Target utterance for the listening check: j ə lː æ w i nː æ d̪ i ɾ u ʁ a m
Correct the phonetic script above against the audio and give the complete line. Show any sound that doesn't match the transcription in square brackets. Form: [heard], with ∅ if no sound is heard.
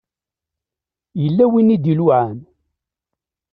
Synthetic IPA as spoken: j ə lː æ w i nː [i] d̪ i [l] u [ʕ] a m